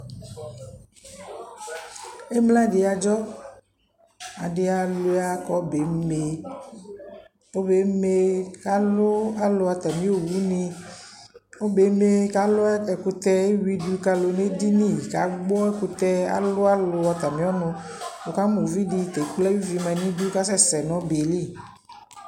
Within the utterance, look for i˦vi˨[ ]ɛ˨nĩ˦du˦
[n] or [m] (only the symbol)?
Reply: m